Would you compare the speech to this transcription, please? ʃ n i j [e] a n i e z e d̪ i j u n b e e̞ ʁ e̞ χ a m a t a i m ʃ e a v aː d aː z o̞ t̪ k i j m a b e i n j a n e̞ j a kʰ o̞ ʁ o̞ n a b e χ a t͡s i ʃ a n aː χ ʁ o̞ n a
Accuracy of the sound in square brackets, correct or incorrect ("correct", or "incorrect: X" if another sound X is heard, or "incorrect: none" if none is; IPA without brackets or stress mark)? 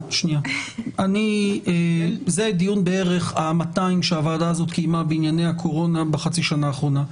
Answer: incorrect: a